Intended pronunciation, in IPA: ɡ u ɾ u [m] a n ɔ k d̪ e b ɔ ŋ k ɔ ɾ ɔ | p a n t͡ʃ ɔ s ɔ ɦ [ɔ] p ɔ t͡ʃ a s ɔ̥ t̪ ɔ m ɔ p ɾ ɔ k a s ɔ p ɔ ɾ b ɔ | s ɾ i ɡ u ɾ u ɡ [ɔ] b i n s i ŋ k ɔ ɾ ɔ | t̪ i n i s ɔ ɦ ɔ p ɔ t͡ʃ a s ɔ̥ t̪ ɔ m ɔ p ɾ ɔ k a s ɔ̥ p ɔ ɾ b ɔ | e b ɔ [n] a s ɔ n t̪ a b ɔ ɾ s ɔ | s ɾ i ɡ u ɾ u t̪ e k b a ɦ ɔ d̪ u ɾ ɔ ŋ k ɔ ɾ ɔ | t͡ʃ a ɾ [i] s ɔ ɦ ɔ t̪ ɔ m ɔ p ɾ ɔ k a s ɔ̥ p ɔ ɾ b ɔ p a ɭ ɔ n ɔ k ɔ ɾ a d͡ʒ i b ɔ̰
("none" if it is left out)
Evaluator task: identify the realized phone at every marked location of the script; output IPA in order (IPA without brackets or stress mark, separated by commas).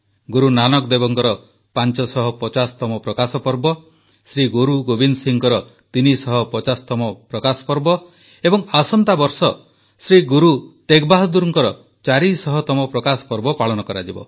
n, ɔ, o, ŋ, i